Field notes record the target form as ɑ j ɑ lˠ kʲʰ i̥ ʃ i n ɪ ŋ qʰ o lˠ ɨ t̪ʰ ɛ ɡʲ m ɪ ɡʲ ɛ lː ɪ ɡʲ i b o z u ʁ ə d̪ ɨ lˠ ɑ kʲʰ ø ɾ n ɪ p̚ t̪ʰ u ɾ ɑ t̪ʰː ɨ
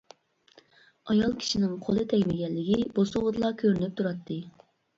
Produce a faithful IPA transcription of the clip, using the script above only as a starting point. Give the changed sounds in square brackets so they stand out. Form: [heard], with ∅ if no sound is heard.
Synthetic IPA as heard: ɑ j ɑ lˠ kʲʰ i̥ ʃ i n ɪ ŋ qʰ o lˠ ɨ t̪ʰ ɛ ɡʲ m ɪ ɡʲ ɛ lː ɪ ɡʲ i b o [s] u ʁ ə d̪ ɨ lˠ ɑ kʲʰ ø ɾ n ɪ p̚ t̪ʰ u ɾ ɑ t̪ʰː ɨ